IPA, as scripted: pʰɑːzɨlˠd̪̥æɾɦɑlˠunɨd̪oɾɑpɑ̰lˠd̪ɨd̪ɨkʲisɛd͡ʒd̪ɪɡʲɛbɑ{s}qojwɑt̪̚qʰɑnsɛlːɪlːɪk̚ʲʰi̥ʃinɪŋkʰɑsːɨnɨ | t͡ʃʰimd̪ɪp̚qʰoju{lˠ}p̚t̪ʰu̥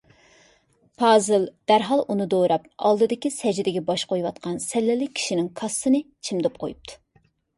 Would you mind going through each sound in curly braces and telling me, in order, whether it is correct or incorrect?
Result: incorrect: ʃ, incorrect: none

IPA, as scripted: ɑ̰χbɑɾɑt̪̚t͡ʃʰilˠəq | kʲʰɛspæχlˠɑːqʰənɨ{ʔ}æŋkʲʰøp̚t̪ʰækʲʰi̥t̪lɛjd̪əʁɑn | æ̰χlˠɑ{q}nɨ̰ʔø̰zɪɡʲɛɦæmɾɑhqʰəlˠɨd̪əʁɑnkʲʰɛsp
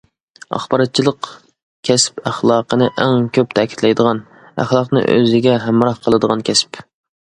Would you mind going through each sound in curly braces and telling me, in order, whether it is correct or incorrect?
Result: correct, correct

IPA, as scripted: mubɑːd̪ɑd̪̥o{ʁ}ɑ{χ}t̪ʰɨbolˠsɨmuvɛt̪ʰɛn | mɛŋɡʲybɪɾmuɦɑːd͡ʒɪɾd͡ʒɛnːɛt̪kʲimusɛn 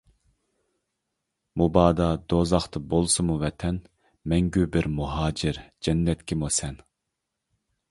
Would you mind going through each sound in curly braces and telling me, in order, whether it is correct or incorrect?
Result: incorrect: z, correct

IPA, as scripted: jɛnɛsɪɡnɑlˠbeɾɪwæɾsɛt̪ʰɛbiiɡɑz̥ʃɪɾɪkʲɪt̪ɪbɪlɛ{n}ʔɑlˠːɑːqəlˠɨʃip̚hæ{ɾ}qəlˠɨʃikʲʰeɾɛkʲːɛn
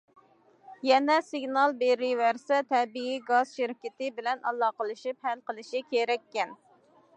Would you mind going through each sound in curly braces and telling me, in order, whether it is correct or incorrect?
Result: correct, incorrect: l

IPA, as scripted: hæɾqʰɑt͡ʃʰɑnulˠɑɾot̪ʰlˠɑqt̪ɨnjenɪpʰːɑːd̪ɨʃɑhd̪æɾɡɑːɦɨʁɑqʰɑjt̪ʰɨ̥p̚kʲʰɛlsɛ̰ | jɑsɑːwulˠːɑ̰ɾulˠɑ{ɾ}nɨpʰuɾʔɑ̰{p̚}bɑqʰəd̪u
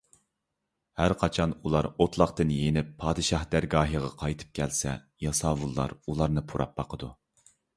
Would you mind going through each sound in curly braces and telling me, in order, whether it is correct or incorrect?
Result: correct, correct

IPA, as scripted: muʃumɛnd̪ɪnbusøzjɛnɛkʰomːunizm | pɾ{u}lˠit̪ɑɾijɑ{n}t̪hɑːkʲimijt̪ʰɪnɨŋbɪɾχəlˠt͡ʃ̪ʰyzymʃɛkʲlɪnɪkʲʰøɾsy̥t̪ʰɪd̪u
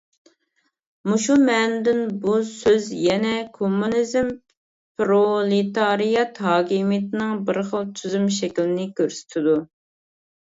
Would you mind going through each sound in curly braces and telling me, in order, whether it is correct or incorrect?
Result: incorrect: o, incorrect: none

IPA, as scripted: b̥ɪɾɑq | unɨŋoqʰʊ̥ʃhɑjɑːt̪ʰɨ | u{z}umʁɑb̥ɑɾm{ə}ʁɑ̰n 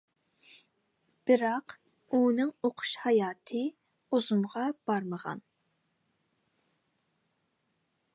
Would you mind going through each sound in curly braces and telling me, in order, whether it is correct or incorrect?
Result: correct, correct

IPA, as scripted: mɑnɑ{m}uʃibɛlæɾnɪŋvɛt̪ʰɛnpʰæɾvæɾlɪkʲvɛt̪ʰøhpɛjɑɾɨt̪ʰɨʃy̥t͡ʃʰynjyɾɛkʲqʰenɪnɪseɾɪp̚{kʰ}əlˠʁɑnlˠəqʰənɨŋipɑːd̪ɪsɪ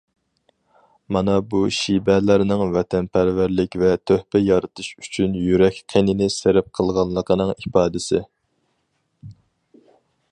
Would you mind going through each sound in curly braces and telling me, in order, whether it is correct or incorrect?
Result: incorrect: b, incorrect: qʰ

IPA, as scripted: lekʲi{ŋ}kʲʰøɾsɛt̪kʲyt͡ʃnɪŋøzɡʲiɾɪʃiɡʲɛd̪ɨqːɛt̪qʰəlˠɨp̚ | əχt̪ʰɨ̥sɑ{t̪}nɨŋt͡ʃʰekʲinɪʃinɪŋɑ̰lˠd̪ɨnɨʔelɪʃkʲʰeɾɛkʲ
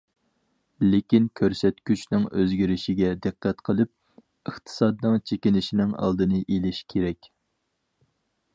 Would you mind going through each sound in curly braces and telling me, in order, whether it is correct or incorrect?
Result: incorrect: n, incorrect: d̪

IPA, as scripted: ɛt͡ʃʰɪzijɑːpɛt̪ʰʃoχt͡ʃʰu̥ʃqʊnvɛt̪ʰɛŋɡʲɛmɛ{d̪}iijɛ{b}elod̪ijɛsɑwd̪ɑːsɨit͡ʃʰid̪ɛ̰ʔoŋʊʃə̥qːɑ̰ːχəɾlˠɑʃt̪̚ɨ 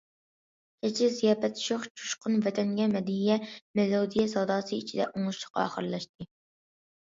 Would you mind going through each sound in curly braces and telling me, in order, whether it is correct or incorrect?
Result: correct, incorrect: m

